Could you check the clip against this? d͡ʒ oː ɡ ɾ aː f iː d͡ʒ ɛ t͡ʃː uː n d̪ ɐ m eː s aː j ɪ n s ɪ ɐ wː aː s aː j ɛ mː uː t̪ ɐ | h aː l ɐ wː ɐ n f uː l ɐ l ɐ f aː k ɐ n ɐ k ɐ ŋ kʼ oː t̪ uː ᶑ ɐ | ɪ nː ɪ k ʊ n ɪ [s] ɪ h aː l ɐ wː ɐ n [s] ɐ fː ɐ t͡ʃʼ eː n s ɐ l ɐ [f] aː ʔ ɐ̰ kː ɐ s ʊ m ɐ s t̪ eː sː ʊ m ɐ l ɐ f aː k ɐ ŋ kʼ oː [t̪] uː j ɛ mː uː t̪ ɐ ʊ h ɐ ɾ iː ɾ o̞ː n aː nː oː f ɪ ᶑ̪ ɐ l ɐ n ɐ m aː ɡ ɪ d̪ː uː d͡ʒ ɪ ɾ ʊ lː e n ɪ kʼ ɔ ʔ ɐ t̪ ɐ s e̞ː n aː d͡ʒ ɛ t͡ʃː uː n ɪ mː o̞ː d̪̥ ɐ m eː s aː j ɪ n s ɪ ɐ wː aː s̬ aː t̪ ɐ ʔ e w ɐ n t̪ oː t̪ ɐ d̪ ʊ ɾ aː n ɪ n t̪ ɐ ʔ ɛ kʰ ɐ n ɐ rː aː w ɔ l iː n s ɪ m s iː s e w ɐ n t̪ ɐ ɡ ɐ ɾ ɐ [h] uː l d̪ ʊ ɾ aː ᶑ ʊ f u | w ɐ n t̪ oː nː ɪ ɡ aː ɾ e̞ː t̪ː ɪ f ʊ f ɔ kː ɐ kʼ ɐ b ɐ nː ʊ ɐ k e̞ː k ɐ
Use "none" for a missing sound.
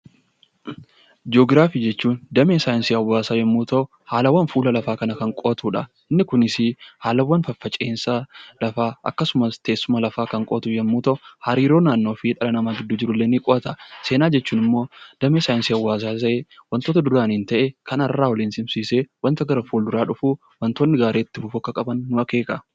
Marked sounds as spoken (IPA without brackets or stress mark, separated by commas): s, f, f, t̪, f